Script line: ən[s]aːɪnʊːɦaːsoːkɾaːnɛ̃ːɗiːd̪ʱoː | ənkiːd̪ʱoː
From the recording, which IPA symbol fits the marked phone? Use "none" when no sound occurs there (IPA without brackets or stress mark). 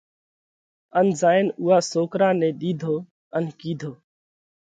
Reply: z